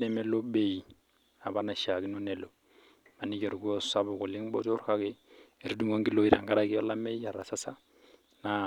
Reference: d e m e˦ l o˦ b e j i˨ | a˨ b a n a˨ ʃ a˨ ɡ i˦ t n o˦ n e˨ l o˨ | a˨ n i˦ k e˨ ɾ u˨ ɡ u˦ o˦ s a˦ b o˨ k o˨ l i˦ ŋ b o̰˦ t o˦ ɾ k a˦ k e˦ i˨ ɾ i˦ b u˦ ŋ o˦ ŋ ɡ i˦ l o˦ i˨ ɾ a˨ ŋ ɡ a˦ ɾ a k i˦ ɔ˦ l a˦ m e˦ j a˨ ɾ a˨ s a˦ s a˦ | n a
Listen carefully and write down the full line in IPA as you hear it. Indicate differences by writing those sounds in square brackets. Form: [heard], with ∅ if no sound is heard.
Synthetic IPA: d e m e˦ l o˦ b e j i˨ | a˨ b a n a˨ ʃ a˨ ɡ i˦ [∅] n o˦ n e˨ l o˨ | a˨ n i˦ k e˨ ɾ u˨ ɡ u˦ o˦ s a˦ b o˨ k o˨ l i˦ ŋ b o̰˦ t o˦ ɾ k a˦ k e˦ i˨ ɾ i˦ [d] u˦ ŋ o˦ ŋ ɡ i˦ l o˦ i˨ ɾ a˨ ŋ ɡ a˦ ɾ a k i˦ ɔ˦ l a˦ m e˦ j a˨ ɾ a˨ s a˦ s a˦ | n a